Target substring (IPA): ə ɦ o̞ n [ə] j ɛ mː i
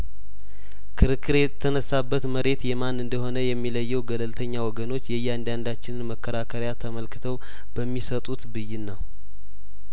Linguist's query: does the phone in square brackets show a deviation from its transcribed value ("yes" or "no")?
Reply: no